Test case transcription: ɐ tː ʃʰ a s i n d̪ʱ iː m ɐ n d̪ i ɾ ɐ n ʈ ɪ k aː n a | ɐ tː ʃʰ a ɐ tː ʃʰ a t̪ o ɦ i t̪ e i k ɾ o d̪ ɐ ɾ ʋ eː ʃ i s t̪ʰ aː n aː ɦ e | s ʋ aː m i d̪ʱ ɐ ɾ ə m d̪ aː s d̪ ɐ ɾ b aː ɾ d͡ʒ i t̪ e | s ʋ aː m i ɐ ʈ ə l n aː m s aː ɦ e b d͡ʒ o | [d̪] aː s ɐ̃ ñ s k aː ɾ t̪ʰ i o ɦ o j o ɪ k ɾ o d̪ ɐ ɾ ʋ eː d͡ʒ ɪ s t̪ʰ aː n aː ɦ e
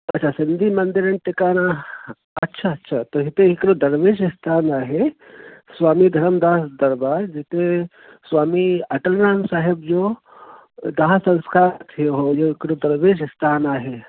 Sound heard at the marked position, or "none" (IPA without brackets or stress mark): d̪